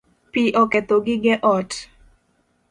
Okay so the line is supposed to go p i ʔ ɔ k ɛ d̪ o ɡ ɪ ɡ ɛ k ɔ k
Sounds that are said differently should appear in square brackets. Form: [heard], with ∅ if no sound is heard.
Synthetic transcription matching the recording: p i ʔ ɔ k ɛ [t̪] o ɡ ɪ ɡ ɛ [ʔ] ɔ [t]